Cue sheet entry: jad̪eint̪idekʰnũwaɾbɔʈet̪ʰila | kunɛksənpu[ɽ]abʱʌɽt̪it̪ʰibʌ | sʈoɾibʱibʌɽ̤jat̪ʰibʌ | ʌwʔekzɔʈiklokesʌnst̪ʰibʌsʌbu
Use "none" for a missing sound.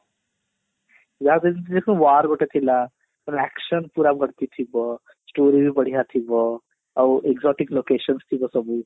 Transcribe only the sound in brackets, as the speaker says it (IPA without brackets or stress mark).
ɾ